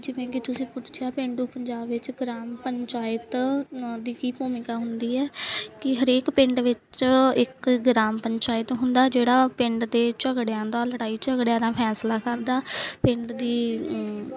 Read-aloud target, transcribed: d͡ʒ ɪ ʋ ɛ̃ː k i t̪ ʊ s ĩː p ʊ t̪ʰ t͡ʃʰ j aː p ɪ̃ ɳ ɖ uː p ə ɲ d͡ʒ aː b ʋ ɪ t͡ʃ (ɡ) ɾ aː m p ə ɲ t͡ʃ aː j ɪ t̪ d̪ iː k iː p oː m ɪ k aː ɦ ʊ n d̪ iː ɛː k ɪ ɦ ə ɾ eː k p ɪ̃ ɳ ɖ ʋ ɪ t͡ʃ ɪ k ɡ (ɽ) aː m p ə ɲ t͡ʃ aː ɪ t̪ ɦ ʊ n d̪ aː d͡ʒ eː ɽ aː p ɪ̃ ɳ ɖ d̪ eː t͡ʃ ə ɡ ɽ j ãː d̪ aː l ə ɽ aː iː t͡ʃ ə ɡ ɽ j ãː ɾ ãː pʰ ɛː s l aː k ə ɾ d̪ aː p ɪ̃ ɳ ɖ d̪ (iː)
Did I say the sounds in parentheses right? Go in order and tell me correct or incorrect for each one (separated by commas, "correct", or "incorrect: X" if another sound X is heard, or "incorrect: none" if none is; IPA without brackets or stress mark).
correct, incorrect: ɾ, correct